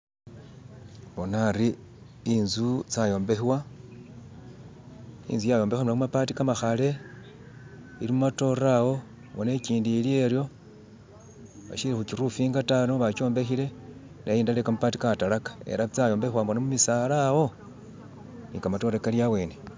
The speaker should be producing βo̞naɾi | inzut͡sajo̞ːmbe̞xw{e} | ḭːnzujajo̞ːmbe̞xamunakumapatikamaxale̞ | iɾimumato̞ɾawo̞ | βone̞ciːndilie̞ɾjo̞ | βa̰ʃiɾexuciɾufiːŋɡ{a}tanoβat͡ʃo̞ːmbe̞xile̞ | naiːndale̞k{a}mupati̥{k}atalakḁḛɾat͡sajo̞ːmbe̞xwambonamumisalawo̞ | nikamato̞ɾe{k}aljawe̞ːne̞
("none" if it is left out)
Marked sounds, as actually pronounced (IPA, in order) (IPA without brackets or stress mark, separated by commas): a, a, a, k, k